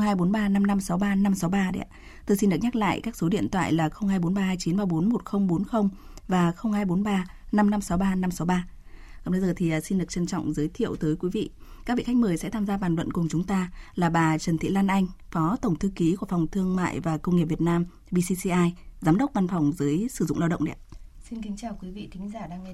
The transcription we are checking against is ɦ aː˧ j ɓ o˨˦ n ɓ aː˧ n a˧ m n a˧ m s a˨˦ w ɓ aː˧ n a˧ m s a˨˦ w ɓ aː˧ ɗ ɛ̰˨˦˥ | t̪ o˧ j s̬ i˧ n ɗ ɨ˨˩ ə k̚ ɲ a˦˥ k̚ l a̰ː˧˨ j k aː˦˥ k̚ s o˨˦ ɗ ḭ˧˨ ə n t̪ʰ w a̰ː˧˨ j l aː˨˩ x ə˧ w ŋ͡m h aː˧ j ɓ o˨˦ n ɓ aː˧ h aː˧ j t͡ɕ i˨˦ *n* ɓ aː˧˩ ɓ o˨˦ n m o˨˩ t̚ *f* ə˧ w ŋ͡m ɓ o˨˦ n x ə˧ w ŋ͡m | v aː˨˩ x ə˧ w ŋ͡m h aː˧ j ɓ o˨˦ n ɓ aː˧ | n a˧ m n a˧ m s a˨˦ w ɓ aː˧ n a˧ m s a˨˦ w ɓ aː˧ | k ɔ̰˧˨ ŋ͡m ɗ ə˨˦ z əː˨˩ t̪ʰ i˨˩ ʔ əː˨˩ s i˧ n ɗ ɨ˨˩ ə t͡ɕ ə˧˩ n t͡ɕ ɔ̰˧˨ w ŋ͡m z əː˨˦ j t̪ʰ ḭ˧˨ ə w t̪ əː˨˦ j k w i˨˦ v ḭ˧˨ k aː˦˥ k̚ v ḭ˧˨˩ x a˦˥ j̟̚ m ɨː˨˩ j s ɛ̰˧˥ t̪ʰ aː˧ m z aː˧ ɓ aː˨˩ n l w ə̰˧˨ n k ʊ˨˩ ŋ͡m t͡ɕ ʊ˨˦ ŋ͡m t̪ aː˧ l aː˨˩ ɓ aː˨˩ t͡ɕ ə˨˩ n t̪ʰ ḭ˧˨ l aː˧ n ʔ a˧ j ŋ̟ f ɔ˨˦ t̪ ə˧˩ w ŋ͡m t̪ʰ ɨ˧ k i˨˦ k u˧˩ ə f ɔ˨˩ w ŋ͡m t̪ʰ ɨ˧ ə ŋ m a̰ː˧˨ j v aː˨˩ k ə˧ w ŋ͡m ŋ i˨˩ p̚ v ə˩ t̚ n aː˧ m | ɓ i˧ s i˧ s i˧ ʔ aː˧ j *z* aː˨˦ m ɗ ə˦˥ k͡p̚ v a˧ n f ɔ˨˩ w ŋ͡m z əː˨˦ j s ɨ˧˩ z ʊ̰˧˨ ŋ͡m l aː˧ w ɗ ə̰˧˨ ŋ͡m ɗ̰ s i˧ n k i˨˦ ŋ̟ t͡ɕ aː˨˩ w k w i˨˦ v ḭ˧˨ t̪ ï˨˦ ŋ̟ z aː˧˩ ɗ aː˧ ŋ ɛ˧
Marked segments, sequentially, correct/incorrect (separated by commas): correct, incorrect, correct